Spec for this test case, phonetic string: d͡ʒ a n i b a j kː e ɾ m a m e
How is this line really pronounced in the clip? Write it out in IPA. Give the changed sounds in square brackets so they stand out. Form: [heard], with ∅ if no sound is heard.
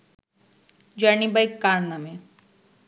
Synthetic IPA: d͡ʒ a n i b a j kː [a] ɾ [n] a m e